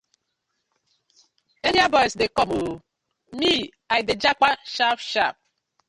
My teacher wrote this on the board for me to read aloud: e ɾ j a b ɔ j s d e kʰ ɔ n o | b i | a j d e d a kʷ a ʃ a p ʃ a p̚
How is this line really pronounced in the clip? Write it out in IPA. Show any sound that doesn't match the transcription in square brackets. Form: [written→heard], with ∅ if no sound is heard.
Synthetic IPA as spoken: e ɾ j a b ɔ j s d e [kʰ→k] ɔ [n→m] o | [b→m] i | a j d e [d→d͡ʒ] a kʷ a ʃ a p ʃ a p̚